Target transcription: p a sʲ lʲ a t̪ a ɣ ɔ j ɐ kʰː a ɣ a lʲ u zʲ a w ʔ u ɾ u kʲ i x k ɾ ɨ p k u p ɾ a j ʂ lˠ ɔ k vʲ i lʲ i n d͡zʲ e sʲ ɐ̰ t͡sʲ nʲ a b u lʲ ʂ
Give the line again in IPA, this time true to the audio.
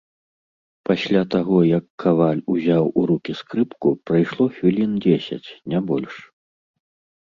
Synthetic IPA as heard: p a sʲ lʲ a t̪ a ɣ ɔ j ɐ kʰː a v a lʲ u zʲ a w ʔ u ɾ u kʲ i s k ɾ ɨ p k u p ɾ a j ʂ lˠ ɔ x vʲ i lʲ i n d͡zʲ e sʲ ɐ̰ t͡sʲ nʲ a b ɔ lʲ ʂ